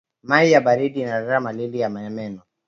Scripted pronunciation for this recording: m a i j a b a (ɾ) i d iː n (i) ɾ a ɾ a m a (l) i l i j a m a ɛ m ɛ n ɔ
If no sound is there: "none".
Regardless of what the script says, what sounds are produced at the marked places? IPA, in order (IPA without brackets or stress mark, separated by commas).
ɾ, a, l